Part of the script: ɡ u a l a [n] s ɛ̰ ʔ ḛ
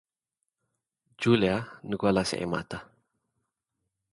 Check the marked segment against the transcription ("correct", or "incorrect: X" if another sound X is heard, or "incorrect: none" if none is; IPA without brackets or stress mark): incorrect: none